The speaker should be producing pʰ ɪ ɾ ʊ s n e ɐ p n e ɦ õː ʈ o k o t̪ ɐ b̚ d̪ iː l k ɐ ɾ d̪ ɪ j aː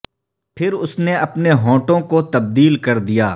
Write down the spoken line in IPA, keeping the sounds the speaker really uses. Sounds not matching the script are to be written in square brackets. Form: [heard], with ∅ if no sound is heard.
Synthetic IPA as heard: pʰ ɪ ɾ ʊ s n e ɐ p n e ɦ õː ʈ [õ] k o t̪ ɐ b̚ d̪ iː l k ɐ ɾ d̪ [i] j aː